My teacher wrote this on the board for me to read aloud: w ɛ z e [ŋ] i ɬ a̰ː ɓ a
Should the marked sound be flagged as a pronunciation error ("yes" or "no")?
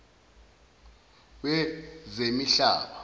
yes